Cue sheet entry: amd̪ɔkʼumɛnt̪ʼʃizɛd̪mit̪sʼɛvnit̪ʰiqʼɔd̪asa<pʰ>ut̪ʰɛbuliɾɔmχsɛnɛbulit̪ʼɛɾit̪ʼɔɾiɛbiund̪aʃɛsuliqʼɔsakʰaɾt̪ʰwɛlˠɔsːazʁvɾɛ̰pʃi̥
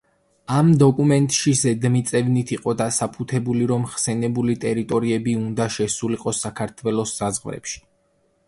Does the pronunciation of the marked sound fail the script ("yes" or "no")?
no